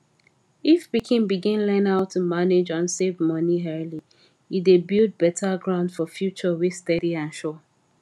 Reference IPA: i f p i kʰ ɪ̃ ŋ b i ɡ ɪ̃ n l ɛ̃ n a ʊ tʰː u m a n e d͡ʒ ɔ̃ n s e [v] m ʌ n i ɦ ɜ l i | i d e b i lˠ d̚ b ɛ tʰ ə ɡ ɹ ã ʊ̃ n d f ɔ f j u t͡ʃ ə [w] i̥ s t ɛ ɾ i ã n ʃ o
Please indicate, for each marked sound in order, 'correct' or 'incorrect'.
correct, correct

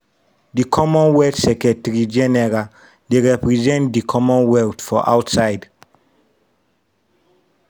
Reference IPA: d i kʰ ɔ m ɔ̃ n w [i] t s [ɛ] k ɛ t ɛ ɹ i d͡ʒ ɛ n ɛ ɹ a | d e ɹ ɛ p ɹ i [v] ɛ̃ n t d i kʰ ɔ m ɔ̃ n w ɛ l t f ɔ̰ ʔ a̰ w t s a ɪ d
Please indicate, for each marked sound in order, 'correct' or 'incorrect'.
incorrect, correct, incorrect

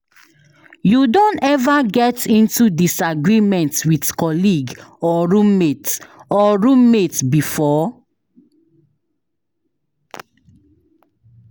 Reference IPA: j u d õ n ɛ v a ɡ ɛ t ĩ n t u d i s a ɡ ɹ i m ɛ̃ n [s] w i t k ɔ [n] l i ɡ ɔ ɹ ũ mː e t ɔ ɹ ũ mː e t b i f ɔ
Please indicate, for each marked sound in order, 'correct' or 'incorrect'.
incorrect, incorrect

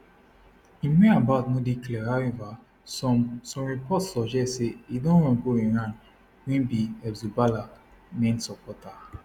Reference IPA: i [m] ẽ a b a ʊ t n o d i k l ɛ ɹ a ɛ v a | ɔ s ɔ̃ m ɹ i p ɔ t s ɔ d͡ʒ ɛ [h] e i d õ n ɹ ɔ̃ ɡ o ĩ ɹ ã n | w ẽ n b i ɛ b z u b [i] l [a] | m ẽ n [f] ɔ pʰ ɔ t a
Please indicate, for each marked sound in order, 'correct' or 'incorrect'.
correct, incorrect, incorrect, correct, incorrect

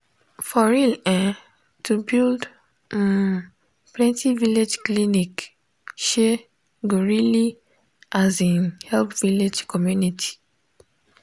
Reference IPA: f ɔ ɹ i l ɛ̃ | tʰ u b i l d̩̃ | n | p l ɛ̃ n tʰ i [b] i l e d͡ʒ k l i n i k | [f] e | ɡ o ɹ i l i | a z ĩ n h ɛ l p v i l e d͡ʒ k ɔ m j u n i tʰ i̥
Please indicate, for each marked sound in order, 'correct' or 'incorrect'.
incorrect, incorrect

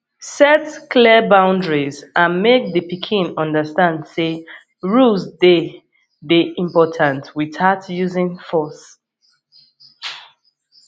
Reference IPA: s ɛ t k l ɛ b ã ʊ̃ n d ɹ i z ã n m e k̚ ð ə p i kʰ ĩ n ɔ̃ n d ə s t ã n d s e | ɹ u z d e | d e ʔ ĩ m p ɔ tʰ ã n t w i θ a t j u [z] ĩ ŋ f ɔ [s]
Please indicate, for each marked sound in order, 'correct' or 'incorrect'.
correct, correct

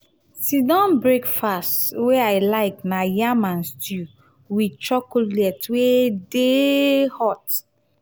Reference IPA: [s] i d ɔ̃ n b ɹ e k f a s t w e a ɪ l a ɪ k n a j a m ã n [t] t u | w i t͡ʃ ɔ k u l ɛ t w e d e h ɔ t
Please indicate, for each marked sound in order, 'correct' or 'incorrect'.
correct, incorrect

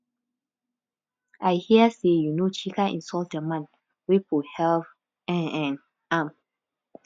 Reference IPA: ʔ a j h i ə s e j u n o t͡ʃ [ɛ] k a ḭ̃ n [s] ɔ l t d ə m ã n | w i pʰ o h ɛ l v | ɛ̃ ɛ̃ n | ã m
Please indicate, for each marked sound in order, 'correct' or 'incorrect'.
incorrect, correct

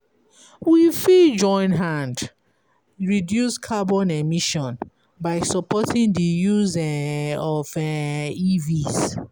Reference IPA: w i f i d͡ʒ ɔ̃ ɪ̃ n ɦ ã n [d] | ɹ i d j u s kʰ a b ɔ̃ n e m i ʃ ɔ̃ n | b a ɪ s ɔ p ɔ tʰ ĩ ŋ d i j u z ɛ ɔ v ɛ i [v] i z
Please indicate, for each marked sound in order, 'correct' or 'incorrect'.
correct, correct

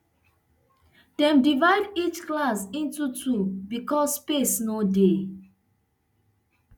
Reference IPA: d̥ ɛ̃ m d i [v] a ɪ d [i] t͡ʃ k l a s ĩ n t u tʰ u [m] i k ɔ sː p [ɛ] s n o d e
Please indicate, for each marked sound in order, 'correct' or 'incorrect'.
correct, correct, incorrect, incorrect

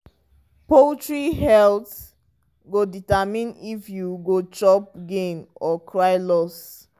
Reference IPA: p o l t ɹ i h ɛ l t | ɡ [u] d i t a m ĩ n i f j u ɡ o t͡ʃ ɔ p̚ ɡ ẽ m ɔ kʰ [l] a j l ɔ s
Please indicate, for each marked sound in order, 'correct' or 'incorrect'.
incorrect, incorrect

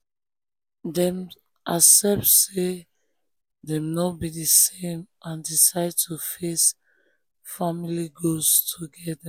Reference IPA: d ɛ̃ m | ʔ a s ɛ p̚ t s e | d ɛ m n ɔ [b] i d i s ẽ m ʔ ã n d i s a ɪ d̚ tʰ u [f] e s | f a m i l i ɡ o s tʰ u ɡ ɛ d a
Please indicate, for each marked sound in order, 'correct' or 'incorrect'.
correct, correct

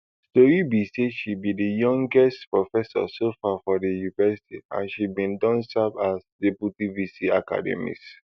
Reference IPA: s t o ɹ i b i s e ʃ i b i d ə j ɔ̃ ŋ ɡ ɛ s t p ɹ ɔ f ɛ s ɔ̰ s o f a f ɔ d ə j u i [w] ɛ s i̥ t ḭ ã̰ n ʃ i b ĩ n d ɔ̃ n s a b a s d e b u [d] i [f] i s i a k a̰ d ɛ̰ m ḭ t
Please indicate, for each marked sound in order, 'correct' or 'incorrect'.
incorrect, incorrect, incorrect

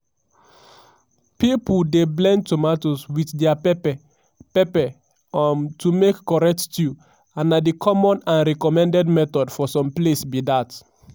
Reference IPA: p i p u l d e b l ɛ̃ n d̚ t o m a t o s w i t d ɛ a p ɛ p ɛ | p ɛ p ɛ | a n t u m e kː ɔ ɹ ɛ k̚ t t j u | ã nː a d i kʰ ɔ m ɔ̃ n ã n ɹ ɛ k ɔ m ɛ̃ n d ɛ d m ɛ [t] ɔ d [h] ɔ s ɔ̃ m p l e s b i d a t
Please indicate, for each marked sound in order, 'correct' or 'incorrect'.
correct, incorrect

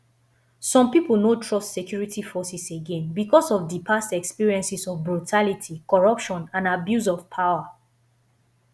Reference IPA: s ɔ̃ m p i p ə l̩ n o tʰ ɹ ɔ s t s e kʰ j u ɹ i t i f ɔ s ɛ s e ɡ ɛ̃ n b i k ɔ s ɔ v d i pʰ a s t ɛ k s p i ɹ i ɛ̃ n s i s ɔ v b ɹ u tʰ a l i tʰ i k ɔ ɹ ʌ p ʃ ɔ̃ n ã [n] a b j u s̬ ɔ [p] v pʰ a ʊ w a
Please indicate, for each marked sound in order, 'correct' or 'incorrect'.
correct, incorrect

